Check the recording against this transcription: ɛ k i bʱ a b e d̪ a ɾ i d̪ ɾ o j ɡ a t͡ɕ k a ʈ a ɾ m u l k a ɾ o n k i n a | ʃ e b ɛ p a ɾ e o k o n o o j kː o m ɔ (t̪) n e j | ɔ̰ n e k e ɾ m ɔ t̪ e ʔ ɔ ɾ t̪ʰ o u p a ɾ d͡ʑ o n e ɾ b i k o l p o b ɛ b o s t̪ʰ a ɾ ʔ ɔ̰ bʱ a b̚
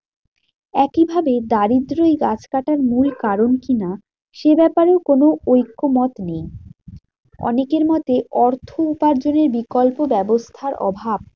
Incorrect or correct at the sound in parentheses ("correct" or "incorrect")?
correct